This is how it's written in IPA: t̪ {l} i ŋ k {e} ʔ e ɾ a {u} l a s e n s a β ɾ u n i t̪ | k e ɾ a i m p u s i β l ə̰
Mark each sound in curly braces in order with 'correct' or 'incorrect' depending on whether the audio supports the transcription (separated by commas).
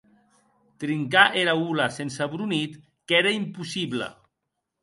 incorrect, incorrect, correct